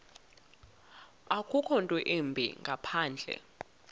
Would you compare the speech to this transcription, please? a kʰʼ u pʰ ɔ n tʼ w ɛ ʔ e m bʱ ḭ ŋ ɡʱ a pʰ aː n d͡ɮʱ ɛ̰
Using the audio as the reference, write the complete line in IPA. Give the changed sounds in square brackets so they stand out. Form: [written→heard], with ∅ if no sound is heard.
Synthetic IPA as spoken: a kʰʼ u [pʰ→kʰ] ɔ n tʼ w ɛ ʔ e m bʱ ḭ ŋ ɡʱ a pʰ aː n d͡ɮʱ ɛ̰

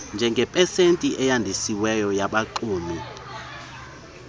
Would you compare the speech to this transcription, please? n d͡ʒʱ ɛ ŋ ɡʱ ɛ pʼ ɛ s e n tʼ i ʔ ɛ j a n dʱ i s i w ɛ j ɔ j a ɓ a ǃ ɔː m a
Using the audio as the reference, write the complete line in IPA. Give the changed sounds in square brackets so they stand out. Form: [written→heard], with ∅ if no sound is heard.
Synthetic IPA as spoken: n d͡ʒʱ ɛ ŋ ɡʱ ɛ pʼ ɛ s e n tʼ i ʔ ɛ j a n dʱ i s i w ɛ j ɔ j a ɓ a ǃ [ɔː→uː] m [a→i]

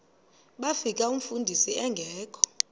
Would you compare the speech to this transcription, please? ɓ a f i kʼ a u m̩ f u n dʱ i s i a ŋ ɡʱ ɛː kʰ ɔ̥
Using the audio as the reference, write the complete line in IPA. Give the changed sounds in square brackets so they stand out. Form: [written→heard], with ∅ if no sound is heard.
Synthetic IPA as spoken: ɓ a f i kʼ a u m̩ f u n dʱ i s i [a→ɛ] ŋ ɡʱ ɛː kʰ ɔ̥

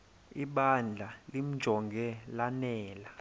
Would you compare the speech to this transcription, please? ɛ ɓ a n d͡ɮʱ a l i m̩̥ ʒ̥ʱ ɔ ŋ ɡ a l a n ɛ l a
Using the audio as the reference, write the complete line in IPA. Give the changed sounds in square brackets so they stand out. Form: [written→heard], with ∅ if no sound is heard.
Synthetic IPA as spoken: [ɛ→i] ɓ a n d͡ɮʱ a l i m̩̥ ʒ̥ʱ ɔ ŋ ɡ [a→ɛ] l a n [ɛ→ɛː] l a

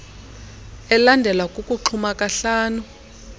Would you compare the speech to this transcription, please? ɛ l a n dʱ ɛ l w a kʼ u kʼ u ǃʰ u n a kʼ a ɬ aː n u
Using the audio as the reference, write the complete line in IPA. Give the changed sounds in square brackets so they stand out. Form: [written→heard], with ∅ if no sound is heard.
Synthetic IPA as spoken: ɛ l a n dʱ ɛ l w a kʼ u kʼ u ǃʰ u [n→m] a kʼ a ɬ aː n u

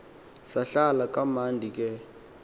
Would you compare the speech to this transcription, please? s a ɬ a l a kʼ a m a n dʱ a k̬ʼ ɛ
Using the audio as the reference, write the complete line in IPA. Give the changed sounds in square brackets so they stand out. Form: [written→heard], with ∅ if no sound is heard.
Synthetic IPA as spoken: s a ɬ a l a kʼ a m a n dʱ [a→i] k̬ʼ ɛ

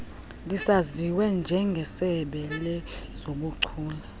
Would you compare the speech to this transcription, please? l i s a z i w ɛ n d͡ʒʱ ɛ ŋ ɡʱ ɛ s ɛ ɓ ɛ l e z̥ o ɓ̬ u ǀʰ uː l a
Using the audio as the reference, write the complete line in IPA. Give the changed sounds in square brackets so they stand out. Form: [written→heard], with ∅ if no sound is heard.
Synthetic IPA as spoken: l i s a z i w ɛ n d͡ʒʱ ɛ ŋ ɡʱ ɛ s ɛ ɓ ɛ l [e→ɛ] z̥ o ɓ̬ u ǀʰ uː l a

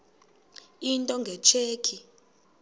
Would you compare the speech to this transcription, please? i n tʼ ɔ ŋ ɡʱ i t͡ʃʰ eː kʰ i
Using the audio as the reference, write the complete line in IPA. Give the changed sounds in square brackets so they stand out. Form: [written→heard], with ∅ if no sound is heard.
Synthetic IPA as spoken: i n tʼ ɔ ŋ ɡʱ [i→ɛ] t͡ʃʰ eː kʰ i

